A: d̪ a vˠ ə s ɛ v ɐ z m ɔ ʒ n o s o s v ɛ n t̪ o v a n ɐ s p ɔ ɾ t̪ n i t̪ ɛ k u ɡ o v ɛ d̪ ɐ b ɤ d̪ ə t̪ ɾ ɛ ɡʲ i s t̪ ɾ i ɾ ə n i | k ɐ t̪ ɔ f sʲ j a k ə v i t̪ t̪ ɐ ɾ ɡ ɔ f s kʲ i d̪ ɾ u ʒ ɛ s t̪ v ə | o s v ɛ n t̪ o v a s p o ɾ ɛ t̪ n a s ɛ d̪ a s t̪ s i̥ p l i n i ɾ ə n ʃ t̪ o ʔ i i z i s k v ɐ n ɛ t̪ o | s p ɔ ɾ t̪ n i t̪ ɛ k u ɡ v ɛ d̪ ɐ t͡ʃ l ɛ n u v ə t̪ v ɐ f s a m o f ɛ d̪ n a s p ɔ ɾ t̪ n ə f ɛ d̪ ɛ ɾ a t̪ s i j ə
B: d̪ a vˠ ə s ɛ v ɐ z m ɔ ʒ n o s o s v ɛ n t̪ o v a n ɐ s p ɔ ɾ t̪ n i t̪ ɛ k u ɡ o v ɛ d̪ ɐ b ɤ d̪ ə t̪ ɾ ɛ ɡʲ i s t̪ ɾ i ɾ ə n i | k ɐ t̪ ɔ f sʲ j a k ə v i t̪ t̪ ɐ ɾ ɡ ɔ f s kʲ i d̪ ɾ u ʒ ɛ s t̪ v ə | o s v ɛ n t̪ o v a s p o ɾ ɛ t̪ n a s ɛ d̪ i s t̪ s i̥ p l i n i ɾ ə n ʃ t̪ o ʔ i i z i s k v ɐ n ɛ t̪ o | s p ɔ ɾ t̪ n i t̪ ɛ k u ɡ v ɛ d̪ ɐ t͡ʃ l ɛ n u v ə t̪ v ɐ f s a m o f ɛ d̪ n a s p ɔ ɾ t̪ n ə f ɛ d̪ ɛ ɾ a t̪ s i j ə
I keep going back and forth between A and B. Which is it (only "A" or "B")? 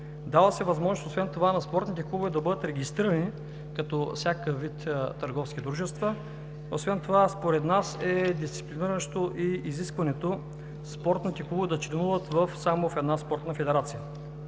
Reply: B